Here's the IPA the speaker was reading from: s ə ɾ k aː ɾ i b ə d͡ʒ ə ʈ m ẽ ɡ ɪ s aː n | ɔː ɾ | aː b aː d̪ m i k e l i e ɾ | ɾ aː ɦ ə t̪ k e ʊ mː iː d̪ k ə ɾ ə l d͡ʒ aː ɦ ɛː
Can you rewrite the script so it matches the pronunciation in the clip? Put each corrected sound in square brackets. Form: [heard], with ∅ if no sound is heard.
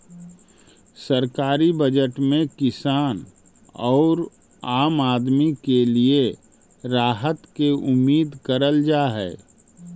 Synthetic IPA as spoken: s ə ɾ k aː ɾ i b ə d͡ʒ ə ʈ m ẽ [k] ɪ s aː n | ɔː ɾ | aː [m] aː d̪ m i k e l i e [∅] | ɾ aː ɦ ə t̪ k e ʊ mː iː d̪ k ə ɾ ə l d͡ʒ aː ɦ ɛː

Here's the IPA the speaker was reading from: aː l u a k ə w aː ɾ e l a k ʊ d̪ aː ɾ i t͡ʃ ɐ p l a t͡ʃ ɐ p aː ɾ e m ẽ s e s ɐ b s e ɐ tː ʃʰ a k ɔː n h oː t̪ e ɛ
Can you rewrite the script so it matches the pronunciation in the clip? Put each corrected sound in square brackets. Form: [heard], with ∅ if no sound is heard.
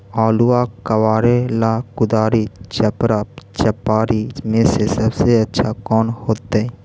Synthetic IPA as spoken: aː l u a k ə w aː ɾ e l a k ʊ d̪ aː ɾ i t͡ʃ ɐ p [ɾ] a t͡ʃ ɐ p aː ɾ [i] m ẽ s e s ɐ b s e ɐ tː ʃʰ a k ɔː n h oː t̪ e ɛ

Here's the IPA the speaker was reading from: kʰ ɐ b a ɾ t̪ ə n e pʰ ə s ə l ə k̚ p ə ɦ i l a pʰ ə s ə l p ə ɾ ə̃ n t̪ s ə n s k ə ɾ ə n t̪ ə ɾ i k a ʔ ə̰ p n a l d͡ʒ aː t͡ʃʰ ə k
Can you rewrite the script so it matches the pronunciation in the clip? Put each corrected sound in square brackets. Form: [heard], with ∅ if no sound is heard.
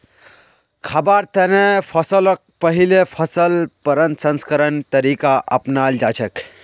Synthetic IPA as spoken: kʰ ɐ b a ɾ t̪ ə n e pʰ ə s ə l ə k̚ p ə ɦ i l [e] pʰ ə s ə l p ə ɾ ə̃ n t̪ s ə n s k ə ɾ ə n t̪ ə ɾ i k a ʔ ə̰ p n a l d͡ʒ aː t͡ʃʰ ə k

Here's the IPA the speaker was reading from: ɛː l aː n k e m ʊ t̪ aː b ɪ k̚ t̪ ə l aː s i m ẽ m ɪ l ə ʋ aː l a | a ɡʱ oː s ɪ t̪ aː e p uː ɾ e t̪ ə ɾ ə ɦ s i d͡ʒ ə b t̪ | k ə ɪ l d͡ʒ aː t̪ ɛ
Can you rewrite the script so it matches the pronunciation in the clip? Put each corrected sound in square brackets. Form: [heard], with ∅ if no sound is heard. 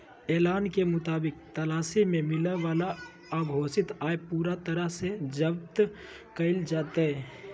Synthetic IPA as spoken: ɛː l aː n k e m ʊ t̪ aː b ɪ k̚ t̪ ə l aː s i m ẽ m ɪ l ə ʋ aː l a | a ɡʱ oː s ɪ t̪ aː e p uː ɾ [a] t̪ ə ɾ ə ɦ s [e] d͡ʒ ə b t̪ | k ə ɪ l d͡ʒ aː t̪ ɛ

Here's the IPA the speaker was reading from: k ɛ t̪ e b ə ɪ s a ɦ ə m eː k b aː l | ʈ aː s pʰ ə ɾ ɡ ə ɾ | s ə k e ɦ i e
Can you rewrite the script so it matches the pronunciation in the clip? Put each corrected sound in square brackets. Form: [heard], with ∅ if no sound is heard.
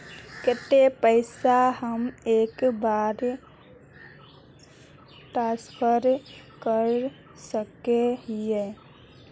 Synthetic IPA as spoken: k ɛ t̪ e [p] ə ɪ s a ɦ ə m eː k b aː [ɾ] | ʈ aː s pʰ ə ɾ [k] ə ɾ | s ə k e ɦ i e

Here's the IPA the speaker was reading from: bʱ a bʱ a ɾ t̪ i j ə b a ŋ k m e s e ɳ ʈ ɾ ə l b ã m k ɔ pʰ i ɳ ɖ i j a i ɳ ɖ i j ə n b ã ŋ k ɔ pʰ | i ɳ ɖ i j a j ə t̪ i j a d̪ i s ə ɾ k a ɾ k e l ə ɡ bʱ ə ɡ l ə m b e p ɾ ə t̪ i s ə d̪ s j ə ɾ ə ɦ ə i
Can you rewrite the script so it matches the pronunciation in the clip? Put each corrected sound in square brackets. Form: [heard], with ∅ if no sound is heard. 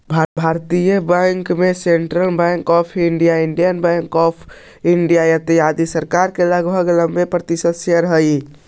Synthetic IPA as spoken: bʱ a bʱ a ɾ t̪ i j ə b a ŋ k m e s e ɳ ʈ ɾ ə l b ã [ŋ] k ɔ pʰ i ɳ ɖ i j a i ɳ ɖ i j ə n b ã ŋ k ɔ pʰ | i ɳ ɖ i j a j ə t̪ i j a d̪ i s ə ɾ k a ɾ k e l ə ɡ bʱ ə ɡ l ə m b e p ɾ ə t̪ i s ə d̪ s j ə ɾ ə ɦ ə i

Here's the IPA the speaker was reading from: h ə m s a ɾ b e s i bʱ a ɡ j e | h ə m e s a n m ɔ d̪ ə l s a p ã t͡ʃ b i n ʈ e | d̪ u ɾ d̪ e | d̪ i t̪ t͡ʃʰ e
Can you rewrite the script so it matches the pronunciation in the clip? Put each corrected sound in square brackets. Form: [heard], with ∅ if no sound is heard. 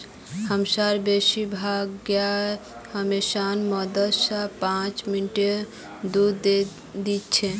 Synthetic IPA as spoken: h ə m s a ɾ b e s i bʱ a ɡ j [a] | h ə m e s a n m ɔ d̪ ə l s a p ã t͡ʃ [m] i n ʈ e | d̪ u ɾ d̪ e | d̪ i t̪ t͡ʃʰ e

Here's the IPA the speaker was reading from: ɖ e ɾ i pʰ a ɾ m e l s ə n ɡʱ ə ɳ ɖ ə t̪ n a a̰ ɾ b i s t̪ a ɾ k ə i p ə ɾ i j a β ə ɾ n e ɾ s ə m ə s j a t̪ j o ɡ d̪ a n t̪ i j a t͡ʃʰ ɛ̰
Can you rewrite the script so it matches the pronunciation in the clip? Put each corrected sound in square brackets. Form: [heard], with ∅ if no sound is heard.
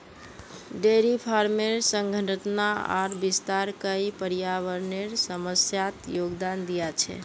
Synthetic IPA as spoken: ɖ e ɾ i pʰ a ɾ m e [ɾ] s ə [ŋ] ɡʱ ə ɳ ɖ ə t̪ n a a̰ ɾ b i s t̪ a ɾ k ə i p ə ɾ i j a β ə ɾ n e ɾ s ə m ə s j a t̪ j o ɡ d̪ a n [d̪] i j a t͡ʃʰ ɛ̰

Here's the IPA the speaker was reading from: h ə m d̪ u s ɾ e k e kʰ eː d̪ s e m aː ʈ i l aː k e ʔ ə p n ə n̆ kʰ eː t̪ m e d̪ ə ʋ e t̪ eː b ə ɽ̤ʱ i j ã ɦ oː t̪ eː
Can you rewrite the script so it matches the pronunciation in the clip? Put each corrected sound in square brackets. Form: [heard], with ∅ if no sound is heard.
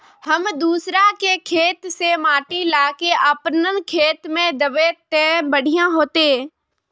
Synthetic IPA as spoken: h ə m d̪ [uː] s ɾ [a] k e kʰ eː [t̪] s e m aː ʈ i l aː k e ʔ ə p n ə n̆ kʰ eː t̪ m [ẽ] d̪ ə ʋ e t̪ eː b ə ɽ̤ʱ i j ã ɦ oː t̪ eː

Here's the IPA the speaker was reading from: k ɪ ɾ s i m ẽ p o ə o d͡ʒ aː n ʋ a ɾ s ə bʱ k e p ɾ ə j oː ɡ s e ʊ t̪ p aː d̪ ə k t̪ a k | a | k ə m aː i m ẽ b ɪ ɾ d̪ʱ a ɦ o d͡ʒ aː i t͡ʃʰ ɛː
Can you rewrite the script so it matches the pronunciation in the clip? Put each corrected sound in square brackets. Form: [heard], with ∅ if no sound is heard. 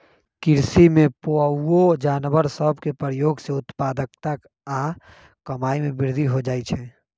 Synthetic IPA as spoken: k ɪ ɾ s i m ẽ p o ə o d͡ʒ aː n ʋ [ə] ɾ s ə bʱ k e p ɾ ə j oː ɡ s e ʊ t̪ p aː d̪ ə k t̪ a k | a | k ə m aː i m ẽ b ɪ ɾ d̪ʱ [i] ɦ o d͡ʒ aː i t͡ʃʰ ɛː

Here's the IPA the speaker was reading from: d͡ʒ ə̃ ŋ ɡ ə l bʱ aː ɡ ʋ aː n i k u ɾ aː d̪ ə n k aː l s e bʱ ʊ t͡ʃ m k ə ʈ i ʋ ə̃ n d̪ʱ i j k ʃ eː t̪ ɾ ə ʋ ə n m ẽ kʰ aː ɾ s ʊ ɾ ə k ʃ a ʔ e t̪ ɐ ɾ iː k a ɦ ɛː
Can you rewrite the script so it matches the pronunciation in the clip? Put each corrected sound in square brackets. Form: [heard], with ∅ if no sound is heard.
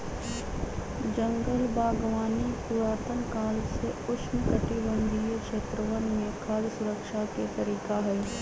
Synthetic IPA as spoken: d͡ʒ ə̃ ŋ ɡ ə l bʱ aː ɡ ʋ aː n i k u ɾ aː [t̪] ə n k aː l s e [∅] ʊ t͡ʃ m k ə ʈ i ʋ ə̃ n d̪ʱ i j k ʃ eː t̪ ɾ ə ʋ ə n m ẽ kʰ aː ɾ s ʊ ɾ ə k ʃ a [k] e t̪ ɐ ɾ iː k a ɦ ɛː

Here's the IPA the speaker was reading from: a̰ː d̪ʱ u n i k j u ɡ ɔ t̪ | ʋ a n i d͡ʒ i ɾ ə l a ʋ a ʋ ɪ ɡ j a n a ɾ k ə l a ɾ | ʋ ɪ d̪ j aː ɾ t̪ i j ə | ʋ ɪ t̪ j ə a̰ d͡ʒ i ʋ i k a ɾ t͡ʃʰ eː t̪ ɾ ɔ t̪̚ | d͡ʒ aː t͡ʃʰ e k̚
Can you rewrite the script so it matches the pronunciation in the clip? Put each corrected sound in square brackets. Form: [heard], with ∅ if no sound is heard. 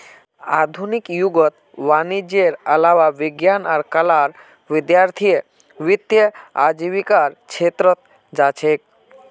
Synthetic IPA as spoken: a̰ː d̪ʱ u n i k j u ɡ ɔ t̪ | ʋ a n i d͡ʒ [e] ɾ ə l a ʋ a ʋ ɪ ɡ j a n a ɾ k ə l a ɾ | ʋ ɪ d̪ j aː ɾ [t̪ʰ] i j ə | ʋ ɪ t̪ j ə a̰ d͡ʒ i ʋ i k a ɾ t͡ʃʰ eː t̪ ɾ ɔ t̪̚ | d͡ʒ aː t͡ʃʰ e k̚

